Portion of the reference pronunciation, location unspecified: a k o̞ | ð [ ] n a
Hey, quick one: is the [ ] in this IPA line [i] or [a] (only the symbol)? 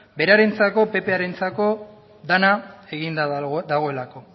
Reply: a